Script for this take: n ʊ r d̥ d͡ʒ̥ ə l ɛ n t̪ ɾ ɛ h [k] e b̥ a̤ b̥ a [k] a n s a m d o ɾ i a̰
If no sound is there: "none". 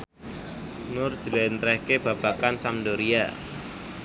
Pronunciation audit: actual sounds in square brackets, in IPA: k, k

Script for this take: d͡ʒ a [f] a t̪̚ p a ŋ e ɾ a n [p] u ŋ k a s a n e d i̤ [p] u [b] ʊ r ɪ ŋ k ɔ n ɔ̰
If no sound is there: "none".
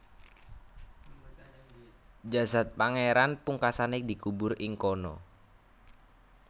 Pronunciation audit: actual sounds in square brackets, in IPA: s, p, k, b

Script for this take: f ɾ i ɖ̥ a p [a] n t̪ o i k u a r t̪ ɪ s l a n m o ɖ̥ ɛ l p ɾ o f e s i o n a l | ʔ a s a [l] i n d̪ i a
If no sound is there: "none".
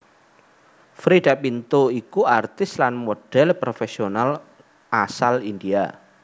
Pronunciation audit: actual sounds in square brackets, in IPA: i, l

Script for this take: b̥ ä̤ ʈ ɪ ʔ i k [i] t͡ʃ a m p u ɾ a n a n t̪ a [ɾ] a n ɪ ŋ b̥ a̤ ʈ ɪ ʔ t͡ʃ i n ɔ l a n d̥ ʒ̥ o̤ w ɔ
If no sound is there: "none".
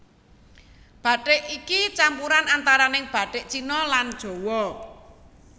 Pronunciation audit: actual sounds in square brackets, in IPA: i, ɾ

